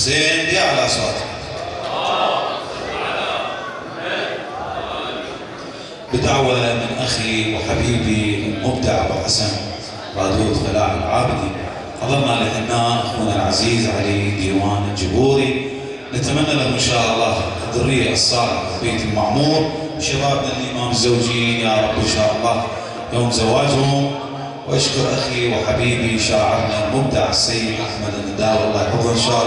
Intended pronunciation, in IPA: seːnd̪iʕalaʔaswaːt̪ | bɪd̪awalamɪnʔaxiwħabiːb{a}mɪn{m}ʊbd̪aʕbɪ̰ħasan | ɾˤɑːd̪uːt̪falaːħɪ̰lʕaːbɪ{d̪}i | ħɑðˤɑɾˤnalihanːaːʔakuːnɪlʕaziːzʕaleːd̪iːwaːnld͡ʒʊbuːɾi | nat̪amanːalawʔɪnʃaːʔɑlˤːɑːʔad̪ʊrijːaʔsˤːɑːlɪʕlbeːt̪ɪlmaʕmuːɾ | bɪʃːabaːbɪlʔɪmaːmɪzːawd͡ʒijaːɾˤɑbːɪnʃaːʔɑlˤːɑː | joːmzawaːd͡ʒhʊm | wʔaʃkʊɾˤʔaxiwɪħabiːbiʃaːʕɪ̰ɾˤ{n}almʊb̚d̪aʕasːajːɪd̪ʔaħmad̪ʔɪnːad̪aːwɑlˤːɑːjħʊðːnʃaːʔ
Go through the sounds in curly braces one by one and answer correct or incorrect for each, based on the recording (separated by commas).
incorrect, correct, correct, correct